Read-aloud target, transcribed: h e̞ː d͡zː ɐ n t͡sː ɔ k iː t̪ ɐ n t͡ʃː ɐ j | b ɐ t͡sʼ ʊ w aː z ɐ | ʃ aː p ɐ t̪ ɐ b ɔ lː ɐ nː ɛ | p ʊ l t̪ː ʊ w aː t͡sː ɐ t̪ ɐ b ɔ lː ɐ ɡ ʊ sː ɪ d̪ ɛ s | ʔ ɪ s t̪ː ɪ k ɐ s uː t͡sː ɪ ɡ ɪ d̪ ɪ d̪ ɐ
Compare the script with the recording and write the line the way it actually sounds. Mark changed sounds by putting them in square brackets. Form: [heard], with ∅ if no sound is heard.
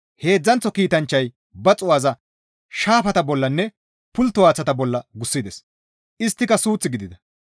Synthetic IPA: h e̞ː d͡zː ɐ n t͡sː ɔ k iː t̪ ɐ n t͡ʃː ɐ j | b ɐ t͡sʼ ʊ w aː z ɐ | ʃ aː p ɐ t̪ ɐ b ɔ lː ɐ nː ɛ | p ʊ l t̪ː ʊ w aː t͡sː ɐ t̪ ɐ b ɔ lː ɐ ɡ ʊ sː ɪ d̪ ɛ s | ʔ ɪ s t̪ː ɪ k ɐ s uː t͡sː ɪ ɡ ɪ d̪ ɪ d̪ ɐ